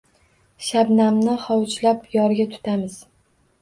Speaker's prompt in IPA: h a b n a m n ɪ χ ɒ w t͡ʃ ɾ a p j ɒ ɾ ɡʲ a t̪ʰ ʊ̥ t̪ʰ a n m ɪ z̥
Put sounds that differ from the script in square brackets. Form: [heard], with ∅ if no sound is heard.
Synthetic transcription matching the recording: [ʃ] a b n a m n ɪ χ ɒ w t͡ʃ [l] a p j ɒ ɾ ɡʲ a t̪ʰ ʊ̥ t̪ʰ a [∅] m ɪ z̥